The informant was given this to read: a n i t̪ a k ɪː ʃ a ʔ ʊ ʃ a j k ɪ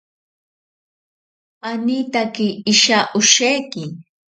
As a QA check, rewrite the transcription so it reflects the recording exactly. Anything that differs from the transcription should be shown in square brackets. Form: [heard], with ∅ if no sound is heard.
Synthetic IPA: a n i t̪ a k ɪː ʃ a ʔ ʊ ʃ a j k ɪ